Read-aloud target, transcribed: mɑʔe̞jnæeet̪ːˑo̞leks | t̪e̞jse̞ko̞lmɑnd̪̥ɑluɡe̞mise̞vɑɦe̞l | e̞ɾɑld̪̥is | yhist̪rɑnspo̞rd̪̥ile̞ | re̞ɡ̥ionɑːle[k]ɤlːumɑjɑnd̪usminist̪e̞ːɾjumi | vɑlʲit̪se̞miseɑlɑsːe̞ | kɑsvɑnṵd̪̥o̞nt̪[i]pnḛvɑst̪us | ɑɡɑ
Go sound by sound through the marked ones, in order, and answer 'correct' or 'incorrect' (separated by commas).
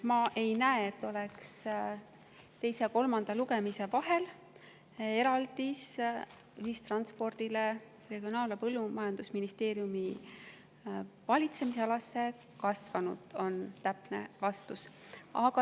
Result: incorrect, incorrect